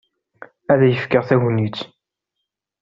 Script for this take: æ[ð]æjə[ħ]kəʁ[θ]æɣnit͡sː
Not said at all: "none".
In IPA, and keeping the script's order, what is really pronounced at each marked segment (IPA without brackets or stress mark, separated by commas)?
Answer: ð, f, θ